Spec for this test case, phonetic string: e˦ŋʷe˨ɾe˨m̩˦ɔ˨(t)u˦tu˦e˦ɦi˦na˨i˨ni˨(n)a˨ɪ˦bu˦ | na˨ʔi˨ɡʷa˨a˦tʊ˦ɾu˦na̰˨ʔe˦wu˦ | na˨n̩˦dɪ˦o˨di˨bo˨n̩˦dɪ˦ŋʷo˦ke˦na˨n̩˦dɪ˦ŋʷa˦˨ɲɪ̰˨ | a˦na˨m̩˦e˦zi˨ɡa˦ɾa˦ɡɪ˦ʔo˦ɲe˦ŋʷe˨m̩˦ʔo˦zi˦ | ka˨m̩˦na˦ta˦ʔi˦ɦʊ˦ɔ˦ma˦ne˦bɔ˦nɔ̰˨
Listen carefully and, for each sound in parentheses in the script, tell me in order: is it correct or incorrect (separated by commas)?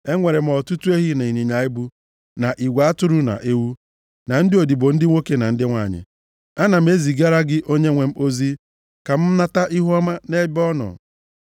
correct, incorrect